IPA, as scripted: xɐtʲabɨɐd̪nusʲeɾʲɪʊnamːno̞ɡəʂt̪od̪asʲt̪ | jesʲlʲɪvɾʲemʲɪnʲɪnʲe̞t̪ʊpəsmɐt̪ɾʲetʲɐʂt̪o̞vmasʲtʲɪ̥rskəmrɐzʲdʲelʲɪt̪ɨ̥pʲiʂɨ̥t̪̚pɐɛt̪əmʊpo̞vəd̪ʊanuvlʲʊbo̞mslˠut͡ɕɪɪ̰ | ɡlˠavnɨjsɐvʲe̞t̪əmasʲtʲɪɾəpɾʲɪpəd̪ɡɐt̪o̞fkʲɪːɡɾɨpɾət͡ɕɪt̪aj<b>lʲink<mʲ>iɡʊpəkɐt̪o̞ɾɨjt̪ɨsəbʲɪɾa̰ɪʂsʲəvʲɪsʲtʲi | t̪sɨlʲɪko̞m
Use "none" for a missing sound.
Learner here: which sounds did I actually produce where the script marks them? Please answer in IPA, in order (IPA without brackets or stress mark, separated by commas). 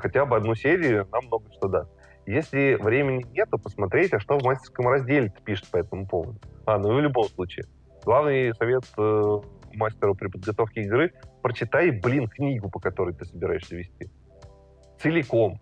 b, nʲ